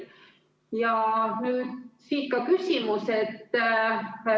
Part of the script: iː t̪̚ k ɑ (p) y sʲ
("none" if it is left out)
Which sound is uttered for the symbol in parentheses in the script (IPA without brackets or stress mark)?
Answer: k